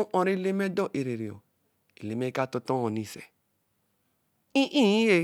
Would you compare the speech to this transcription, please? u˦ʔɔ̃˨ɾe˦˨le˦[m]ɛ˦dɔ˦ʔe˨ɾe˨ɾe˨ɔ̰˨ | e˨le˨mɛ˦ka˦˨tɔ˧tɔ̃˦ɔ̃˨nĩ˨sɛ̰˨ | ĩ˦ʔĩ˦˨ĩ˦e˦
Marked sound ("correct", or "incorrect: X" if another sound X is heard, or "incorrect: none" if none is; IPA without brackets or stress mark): correct